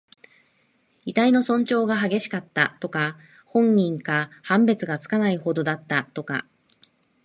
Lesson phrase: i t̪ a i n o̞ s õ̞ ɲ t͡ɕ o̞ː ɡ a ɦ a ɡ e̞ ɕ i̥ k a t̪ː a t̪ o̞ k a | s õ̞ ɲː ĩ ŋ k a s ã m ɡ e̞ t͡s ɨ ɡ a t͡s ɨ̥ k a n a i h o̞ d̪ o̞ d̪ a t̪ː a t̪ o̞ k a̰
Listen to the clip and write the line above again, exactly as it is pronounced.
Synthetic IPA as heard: i t̪ a i n o̞ s õ̞ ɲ t͡ɕ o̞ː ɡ a ɦ a ɡ e̞ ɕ i̥ k a t̪ː a t̪ o̞ k a | h õ̞ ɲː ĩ ŋ k a h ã m b e̞ t͡s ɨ ɡ a t͡s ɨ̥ k a n a i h o̞ d̪ o̞ d̪ a t̪ː a t̪ o̞ k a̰

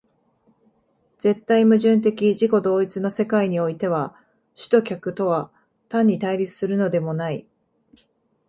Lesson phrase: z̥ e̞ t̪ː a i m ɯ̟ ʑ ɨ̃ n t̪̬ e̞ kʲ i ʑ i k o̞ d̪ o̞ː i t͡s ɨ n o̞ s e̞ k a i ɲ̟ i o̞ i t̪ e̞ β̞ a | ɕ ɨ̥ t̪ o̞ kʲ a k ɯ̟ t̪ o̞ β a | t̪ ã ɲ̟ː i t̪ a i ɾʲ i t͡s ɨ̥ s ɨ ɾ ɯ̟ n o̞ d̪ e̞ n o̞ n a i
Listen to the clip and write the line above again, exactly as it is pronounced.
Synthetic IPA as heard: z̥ e̞ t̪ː a i m ɯ̟ ʑ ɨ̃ n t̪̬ e̞ kʲ i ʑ i k o̞ d̪ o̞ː i t͡s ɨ n o̞ s e̞ k a i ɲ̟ i o̞ i t̪ e̞ β̞ a | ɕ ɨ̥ t̪ o̞ kʲ a k ɯ̟ t̪ o̞ β a | t̪ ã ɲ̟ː i t̪ a i ɾʲ i t͡s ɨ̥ s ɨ ɾ ɯ̟ n o̞ d̪ e̞ m o̞ n a i

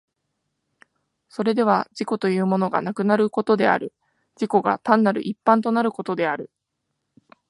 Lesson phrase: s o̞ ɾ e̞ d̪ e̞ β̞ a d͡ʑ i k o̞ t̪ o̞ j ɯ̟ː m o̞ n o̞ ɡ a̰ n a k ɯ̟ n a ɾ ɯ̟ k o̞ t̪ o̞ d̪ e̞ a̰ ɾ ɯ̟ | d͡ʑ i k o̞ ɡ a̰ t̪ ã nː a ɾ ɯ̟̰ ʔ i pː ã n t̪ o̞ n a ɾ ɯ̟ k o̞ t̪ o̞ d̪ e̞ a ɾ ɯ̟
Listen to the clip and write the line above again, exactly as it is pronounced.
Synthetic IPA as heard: s o̞ ɾ e̞ d̪ e̞ β̞ a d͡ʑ i k o̞ t̪ o̞ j ɯ̟ː m o̞ n o̞ ɡ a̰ n a k ɯ̟ n a ɾ ɯ̟ k o̞ t̪ o̞ d̪ e̞ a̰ ɾ ɯ̟ | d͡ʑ i k o̞ ɡ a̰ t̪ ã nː a ɾ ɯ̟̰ ʔ i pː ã n t̪ o̞ n a ɾ ɯ̟ k o̞ t̪ o̞ d̪ e̞ a ɾ ɯ̟

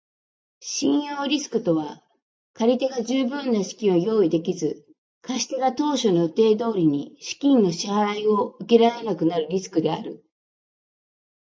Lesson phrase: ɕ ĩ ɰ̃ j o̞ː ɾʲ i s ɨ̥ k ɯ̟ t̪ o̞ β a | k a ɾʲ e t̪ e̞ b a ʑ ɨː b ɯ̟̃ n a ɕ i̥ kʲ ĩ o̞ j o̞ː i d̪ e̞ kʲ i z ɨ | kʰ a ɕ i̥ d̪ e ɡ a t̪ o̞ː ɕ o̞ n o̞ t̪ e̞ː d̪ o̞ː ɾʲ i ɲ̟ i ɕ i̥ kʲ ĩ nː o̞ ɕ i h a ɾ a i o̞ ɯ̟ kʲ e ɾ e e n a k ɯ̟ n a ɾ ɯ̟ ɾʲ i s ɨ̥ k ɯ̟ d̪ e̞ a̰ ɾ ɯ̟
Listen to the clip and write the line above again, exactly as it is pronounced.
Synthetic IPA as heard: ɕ ĩ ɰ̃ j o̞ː ɾʲ i s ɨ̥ k ɯ̟ t̪ o̞ β a | k a ɾʲ i t̪ e̞ ɡ a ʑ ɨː b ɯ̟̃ nː a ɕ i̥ kʲ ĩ o̞ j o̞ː i d̪ e̞ kʲ i z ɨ | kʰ a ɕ i̥ t̪ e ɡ a t̪ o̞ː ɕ o̞ n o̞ t̪ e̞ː d̪ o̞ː ɾʲ i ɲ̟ i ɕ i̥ kʲ ĩ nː o̞ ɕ i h a ɾ a i o̞ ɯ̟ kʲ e ɾ a e n a k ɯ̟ n a ɾ ɯ̟ ɾʲ i s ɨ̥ k ɯ̟ d̪ e̞ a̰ ɾ ɯ̟

